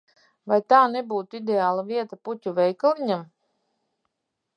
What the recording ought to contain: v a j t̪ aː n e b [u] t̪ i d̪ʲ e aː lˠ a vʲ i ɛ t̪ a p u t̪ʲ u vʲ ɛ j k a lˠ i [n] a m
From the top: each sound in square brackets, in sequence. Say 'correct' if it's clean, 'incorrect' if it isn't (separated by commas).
incorrect, incorrect